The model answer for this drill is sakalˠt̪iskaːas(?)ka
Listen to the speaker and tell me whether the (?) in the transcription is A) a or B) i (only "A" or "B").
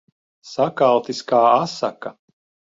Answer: A